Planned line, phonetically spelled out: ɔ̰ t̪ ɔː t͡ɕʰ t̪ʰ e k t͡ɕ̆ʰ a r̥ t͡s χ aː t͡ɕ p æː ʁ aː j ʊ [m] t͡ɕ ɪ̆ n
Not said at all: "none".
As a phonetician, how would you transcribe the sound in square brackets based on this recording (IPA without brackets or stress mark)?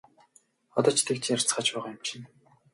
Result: m